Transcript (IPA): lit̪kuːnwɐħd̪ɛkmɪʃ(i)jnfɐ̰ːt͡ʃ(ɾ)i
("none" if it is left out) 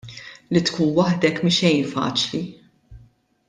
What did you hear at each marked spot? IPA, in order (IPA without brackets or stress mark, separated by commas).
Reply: ɛ, l